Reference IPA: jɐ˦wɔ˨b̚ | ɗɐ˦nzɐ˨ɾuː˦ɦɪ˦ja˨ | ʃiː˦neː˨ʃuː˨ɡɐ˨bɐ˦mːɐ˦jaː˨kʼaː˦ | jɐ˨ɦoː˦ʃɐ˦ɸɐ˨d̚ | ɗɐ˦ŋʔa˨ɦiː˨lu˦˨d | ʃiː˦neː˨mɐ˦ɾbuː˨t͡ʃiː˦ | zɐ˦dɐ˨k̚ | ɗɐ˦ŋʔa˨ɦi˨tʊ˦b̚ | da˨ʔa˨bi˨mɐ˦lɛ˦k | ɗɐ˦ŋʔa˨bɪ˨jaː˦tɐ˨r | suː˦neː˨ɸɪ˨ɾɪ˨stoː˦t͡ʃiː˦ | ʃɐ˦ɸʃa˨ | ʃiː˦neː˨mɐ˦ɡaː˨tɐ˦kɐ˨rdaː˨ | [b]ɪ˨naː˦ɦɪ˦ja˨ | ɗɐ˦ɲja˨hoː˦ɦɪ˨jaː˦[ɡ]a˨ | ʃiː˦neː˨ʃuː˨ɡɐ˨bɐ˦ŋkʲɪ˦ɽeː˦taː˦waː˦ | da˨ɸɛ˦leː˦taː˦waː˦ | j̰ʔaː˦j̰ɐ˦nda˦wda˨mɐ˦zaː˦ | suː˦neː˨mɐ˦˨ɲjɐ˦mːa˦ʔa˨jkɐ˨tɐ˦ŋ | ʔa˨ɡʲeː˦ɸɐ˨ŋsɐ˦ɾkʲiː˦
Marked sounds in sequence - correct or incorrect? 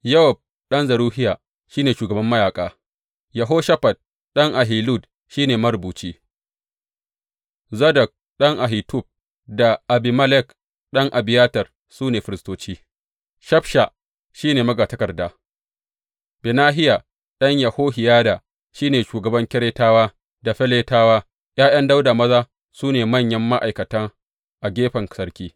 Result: correct, incorrect

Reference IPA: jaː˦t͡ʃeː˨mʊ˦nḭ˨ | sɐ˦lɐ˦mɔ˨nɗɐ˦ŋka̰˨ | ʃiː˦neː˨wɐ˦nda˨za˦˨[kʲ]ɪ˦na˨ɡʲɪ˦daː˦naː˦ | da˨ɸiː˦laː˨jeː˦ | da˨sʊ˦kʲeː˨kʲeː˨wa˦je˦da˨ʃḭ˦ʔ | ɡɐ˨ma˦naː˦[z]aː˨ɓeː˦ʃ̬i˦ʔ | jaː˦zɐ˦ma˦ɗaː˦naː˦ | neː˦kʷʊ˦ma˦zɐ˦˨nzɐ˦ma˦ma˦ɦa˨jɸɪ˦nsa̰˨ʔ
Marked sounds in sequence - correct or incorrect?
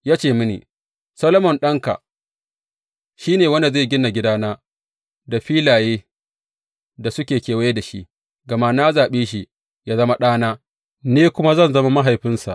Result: incorrect, correct

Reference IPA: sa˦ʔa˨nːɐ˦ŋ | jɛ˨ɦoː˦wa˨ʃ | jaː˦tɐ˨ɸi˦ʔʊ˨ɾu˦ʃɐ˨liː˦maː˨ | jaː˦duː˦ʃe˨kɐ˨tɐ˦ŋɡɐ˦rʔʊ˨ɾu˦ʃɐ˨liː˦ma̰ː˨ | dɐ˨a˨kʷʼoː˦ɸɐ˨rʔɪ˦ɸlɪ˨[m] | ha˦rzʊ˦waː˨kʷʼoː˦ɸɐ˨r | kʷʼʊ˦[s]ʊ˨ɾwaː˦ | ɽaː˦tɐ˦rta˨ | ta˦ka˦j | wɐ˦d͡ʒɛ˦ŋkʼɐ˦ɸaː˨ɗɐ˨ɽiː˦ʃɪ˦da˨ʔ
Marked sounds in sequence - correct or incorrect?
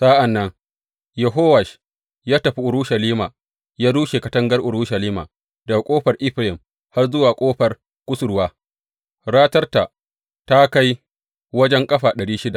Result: correct, correct

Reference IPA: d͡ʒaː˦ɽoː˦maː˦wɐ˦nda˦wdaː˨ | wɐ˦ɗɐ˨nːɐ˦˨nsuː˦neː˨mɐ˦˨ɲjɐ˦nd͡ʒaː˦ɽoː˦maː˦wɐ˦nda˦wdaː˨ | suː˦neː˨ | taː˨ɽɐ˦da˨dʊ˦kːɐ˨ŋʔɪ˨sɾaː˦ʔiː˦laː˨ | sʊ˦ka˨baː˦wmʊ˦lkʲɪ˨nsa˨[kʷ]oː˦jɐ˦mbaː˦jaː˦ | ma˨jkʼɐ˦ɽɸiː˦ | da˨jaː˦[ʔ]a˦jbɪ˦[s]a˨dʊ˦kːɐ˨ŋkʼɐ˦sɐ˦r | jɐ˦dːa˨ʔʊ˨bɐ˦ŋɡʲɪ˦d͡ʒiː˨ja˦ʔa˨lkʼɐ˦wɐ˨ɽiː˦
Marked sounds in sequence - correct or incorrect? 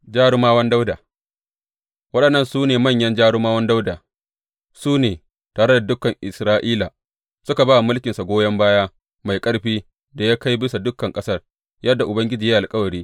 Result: incorrect, incorrect, correct

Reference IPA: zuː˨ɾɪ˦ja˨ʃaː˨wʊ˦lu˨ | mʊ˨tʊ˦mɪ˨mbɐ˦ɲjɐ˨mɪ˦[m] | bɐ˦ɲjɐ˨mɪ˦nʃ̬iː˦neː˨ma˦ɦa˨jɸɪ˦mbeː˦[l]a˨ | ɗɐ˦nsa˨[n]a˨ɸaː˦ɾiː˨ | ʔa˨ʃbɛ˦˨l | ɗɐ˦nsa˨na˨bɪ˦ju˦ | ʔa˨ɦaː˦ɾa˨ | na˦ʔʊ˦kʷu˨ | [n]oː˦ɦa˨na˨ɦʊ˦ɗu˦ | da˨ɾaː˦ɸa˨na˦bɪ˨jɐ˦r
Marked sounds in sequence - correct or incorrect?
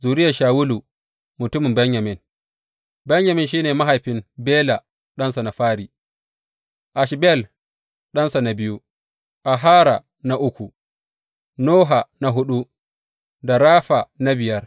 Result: incorrect, correct, correct, correct

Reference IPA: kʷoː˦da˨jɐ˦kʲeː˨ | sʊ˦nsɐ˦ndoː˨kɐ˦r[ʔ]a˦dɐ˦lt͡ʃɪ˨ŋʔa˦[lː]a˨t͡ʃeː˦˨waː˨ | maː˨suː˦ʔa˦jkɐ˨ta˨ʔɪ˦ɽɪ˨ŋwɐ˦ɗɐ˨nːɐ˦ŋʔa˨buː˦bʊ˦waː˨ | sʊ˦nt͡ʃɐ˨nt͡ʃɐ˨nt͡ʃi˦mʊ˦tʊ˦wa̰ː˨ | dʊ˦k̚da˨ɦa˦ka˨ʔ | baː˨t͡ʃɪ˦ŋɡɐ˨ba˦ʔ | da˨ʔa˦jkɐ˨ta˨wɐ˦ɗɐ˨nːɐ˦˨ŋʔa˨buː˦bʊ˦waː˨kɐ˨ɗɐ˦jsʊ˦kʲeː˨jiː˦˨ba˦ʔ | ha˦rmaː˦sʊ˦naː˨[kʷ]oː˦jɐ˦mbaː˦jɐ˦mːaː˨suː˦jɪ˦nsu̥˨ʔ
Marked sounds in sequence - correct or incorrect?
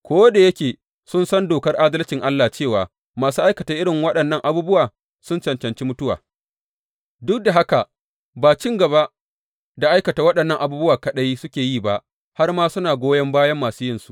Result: correct, correct, incorrect

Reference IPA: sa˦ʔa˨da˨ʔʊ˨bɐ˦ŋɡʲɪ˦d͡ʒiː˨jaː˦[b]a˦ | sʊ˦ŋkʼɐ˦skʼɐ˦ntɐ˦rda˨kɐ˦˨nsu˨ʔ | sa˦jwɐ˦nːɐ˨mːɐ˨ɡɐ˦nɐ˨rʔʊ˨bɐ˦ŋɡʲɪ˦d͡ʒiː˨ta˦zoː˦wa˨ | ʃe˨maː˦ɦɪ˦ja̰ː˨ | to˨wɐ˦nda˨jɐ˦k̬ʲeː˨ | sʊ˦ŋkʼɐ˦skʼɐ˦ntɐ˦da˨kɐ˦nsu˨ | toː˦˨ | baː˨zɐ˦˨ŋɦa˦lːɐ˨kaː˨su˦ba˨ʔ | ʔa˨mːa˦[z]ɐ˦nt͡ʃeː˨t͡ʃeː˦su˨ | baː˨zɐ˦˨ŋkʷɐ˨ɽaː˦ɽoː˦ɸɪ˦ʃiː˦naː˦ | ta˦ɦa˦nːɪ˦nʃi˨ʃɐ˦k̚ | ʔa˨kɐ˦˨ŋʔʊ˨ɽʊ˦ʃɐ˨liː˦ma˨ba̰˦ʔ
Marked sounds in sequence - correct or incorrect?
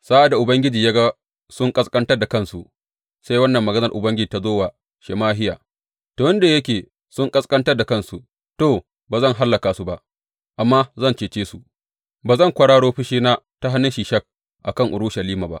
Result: incorrect, correct

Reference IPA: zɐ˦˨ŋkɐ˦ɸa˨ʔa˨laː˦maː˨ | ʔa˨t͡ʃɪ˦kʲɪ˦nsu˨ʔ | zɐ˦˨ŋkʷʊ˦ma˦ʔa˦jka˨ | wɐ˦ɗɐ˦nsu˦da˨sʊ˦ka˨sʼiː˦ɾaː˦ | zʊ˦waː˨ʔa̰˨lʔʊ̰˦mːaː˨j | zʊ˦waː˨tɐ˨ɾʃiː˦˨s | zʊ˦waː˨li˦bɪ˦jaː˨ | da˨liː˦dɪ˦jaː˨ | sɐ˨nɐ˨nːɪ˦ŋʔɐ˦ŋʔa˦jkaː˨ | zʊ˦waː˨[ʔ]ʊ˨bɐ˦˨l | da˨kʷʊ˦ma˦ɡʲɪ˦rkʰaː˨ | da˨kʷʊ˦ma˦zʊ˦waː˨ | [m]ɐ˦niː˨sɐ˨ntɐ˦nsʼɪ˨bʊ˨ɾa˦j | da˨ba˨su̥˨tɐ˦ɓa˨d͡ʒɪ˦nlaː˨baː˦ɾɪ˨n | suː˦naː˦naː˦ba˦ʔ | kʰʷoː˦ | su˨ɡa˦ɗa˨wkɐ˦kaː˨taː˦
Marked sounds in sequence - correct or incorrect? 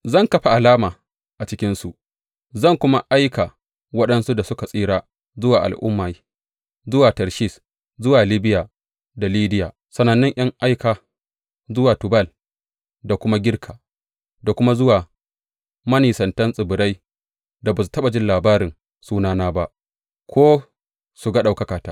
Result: incorrect, correct

